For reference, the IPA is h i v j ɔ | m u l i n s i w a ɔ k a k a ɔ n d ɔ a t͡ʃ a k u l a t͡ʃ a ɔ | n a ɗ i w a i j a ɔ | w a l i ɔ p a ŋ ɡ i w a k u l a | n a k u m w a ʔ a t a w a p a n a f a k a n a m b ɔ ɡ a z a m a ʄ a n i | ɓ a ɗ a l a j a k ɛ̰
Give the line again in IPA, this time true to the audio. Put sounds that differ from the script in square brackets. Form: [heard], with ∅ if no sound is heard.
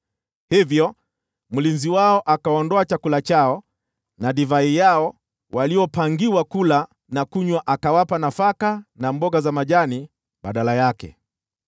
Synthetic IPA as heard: h i v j ɔ | m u l i n [z] i w a ɔ [ʔ] a k a ɔ n d ɔ a t͡ʃ a k u l a t͡ʃ a ɔ | n a ɗ i [v] a i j a ɔ | w a l i ɔ p a ŋ ɡ i w a k u l a | n a k u [ɲ] w a ʔ a [k] a w a p a n a f a k a n a m b ɔ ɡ a z a m a ʄ a n i | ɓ a ɗ a l a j a k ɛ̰